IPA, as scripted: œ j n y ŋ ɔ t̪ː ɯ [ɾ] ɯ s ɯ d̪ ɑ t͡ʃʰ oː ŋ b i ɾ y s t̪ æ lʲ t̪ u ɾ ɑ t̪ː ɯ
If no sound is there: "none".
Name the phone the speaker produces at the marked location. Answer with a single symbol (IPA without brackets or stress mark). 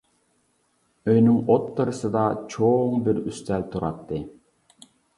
ɾ